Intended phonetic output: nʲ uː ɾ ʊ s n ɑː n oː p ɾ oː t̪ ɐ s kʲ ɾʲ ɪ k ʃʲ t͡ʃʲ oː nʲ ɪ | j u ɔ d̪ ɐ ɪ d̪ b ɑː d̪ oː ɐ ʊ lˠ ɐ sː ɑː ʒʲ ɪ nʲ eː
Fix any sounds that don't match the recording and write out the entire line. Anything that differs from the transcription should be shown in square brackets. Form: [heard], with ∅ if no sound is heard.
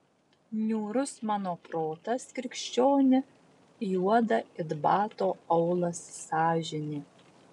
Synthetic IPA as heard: nʲ uː ɾ ʊ s [m] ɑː n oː p ɾ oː t̪ ɐ s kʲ ɾʲ ɪ k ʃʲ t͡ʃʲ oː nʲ ɪ | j u ɔ d̪ ɐ ɪ d̪ b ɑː [t̪] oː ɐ ʊ lˠ ɐ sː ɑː ʒʲ ɪ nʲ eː